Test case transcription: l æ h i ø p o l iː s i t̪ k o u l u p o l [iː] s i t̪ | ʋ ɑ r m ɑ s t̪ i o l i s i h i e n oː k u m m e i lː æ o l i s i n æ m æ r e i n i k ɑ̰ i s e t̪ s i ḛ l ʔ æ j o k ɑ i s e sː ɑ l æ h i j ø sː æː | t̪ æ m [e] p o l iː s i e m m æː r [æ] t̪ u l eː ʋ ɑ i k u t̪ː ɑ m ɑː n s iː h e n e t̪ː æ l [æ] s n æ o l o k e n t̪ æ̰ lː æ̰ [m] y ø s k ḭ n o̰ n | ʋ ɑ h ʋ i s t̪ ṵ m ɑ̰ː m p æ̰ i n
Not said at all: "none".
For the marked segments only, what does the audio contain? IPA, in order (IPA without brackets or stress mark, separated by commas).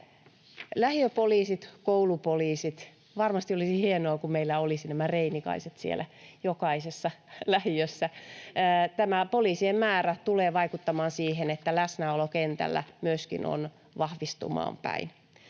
iː, æ, æ, æ, m